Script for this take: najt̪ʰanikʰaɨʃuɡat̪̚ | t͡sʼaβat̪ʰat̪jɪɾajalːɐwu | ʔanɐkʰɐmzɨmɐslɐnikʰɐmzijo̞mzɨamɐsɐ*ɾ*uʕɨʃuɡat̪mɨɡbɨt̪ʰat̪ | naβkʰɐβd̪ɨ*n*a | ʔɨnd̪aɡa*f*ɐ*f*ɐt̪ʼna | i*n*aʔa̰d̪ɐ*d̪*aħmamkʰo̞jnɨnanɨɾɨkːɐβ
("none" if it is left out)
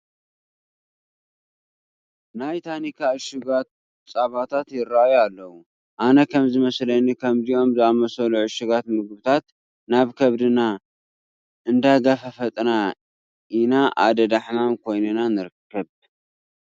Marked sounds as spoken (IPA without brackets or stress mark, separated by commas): l, n, f, f, n, d̪